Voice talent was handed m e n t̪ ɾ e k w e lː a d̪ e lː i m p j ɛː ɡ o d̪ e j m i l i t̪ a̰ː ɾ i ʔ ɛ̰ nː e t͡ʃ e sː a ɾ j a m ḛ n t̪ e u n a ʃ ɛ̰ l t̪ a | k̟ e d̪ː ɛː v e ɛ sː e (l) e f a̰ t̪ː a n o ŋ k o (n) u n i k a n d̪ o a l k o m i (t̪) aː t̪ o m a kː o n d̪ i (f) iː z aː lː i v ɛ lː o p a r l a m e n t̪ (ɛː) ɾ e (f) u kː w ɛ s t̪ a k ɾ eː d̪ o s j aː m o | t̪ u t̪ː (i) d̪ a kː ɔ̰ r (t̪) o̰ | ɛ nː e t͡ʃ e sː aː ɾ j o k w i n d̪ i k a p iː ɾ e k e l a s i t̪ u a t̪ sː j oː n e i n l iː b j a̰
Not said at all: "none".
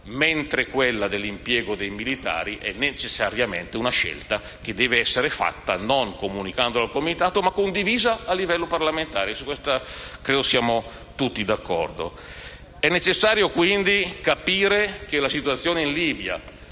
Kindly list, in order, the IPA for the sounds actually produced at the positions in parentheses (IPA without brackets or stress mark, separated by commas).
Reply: ɾ, m, t̪, v, aː, s, i, d̪